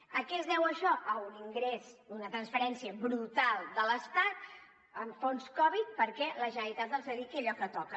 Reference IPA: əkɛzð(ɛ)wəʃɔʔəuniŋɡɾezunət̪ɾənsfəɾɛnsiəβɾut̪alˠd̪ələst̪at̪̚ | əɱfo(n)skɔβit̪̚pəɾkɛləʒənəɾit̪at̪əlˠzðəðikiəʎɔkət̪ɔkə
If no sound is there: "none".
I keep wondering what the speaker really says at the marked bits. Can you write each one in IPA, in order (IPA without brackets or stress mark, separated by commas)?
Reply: ɛ, n